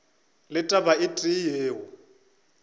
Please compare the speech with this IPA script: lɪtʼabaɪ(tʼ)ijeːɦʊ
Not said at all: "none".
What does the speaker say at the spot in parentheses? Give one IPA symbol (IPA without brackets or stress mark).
tʼ